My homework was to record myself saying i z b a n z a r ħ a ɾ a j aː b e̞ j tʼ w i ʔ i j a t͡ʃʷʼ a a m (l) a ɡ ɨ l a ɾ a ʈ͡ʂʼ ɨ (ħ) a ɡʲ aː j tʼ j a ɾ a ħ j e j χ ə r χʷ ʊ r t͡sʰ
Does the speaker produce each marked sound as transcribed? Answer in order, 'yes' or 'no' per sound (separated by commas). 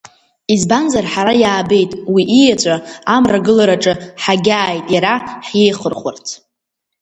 no, yes